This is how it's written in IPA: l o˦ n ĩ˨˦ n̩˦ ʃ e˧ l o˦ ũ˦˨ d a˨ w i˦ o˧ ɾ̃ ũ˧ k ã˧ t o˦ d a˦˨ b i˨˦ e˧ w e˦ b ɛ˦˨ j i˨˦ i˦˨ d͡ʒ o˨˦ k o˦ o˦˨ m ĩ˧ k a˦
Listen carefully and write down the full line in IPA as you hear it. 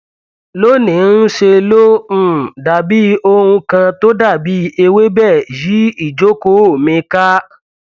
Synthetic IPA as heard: l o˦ n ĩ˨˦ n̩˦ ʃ e˧ l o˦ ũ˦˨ d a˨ b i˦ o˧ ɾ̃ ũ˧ k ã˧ t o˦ d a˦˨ b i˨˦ e˧ w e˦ b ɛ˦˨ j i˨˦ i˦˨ d͡ʒ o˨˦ k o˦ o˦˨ m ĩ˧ k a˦